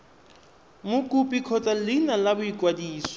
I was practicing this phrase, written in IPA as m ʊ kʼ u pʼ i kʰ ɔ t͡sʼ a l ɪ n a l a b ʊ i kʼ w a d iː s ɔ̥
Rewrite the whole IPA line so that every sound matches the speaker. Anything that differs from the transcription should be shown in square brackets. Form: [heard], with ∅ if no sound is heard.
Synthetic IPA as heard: m ʊ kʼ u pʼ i kʰ ɔ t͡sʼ a l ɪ n a l a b ʊ i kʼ w a d iː s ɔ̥